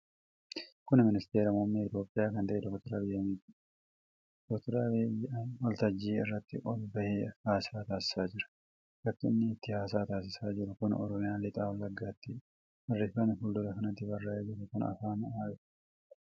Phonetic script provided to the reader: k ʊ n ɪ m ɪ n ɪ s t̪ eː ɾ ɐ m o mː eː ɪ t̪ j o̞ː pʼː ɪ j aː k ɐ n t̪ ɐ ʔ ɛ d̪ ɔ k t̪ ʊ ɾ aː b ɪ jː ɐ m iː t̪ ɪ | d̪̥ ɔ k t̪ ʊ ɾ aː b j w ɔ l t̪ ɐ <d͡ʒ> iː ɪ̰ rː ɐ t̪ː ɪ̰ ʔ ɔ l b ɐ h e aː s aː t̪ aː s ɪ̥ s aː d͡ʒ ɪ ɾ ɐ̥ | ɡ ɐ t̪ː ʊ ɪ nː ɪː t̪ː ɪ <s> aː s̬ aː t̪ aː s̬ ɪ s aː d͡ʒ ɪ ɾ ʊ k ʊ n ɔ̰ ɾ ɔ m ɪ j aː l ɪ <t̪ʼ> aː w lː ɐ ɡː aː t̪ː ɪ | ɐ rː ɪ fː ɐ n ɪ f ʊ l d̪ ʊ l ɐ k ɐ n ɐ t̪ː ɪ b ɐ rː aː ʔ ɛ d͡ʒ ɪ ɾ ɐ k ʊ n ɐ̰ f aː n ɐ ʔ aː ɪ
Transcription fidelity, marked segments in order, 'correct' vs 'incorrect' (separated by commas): incorrect, incorrect, correct